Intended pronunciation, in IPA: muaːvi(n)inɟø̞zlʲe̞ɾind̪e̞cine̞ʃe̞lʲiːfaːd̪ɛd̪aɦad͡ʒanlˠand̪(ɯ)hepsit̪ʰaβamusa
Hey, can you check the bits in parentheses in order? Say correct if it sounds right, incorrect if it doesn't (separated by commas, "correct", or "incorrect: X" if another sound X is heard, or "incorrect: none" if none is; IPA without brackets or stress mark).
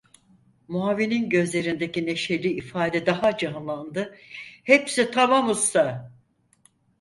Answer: correct, correct